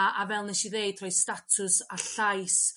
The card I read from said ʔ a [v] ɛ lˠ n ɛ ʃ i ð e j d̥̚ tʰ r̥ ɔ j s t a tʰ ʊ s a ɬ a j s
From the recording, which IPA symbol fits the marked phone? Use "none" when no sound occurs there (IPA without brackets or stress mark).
v